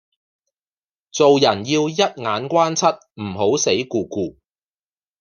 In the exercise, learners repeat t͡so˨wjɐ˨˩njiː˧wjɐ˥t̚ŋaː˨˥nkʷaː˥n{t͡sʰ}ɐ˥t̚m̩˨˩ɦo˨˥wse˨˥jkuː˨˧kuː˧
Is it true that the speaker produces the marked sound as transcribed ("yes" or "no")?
yes